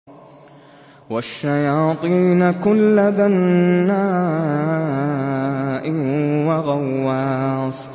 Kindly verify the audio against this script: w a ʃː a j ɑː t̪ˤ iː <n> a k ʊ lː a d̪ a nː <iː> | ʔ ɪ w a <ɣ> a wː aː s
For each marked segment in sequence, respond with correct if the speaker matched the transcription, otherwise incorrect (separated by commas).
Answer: correct, incorrect, correct